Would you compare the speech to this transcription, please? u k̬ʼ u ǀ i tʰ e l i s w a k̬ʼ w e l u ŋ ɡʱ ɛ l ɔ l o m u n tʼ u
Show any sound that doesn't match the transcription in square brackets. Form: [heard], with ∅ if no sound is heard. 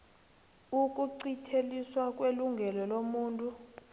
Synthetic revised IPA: u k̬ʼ u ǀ i tʰ e l i s w a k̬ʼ w e l u ŋ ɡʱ ɛ l ɔ l o m [uː] n tʼ u